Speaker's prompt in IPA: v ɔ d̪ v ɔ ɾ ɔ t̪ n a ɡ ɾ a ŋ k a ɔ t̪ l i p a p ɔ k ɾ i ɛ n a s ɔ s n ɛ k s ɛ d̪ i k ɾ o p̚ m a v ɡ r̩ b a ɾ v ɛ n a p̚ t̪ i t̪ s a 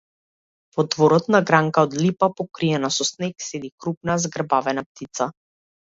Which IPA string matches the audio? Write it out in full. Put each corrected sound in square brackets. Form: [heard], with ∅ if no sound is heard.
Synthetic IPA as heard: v ɔ d̪ v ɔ ɾ ɔ t̪ n a ɡ ɾ a ŋ k a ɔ [d̪] l i p a p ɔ k ɾ i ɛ n a s ɔ s n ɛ k s ɛ d̪ i k ɾ [u] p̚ [n] a [z] ɡ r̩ b a [∅] v ɛ n a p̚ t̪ i t̪ s a